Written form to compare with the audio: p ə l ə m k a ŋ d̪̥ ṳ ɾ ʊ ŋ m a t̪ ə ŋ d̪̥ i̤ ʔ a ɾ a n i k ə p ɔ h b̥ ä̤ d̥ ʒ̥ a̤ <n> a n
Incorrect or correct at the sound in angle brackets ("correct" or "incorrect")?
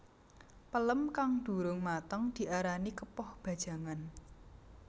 incorrect